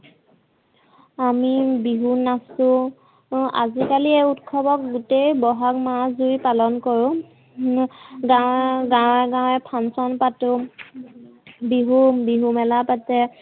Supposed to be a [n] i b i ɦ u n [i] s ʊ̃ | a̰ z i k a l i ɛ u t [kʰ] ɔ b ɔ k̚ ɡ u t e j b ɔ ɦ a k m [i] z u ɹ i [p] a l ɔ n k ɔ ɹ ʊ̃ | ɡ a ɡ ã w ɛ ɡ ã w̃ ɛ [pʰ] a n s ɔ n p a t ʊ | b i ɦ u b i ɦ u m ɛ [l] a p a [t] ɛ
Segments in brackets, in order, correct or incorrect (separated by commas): incorrect, incorrect, correct, incorrect, correct, correct, correct, correct